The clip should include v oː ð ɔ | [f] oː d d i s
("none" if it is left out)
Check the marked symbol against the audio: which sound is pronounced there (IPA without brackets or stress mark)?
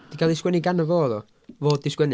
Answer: v